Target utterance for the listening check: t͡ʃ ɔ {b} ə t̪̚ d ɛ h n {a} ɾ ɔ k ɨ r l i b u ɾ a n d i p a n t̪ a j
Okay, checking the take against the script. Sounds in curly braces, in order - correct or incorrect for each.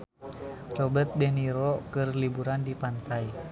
correct, incorrect

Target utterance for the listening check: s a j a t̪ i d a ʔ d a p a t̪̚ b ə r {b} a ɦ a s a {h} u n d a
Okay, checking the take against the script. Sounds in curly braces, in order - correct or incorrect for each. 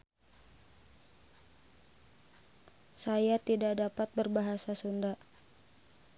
correct, incorrect

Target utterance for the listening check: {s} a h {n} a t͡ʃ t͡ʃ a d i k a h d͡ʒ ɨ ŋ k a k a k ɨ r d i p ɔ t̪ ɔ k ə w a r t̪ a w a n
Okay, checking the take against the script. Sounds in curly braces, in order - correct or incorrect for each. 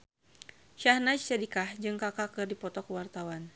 incorrect, correct

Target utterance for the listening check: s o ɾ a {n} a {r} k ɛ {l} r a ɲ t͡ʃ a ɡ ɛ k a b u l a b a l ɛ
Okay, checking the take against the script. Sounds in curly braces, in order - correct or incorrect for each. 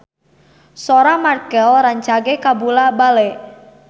incorrect, correct, correct

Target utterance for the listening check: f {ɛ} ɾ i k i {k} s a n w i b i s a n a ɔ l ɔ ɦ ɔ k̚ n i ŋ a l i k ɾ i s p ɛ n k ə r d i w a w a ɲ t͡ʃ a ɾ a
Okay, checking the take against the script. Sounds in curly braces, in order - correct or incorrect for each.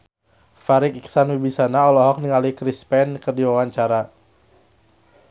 incorrect, correct

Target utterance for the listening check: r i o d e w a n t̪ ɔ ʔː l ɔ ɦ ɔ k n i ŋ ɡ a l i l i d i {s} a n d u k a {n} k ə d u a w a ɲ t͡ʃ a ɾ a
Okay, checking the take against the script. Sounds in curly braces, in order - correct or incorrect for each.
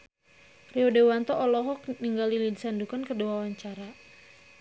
correct, correct

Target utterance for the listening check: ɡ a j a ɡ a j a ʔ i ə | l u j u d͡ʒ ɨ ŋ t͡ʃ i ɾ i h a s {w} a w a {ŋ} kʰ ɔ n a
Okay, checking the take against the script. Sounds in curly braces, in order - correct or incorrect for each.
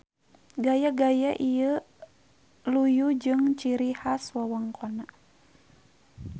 correct, correct

